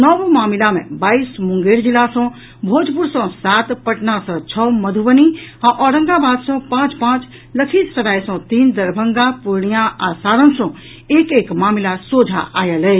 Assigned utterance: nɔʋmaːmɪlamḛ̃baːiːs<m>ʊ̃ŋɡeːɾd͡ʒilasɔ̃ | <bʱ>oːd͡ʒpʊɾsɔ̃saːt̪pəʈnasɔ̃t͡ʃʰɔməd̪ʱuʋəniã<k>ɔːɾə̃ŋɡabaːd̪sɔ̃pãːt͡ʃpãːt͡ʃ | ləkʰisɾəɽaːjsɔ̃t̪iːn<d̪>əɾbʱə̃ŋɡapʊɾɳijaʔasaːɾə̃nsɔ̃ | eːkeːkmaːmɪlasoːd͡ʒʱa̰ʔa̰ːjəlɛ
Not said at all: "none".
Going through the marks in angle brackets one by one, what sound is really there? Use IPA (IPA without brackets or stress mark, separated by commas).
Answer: m, bʱ, ʔ, d̪